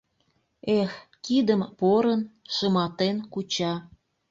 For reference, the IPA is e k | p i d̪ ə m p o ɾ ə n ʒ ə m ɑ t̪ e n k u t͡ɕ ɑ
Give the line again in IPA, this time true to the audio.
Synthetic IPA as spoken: e x | k i d̪ ə m p o ɾ ə n ʃ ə m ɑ t̪ e n k u t͡ɕ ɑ